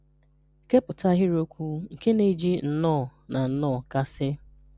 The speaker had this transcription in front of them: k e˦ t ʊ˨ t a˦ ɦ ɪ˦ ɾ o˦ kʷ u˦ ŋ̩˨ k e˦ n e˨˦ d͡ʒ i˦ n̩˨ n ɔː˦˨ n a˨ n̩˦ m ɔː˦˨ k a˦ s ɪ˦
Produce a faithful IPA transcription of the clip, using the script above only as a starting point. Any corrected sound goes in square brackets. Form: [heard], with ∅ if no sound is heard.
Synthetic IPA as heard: k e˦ [p] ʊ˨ t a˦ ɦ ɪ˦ ɾ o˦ kʷ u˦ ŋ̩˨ k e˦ n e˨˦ d͡ʒ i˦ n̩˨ n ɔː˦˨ n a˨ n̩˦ [n] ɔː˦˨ k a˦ s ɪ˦